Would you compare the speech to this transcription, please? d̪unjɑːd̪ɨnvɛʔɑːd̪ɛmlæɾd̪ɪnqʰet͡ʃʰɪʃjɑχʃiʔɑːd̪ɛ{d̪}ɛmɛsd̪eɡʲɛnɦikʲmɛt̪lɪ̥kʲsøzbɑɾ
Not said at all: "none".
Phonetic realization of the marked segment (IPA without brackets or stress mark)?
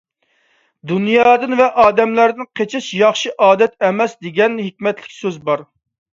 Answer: t̪